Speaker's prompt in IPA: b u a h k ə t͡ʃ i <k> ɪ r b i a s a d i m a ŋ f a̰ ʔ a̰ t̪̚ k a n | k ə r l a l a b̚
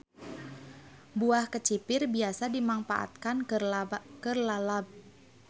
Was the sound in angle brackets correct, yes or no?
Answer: no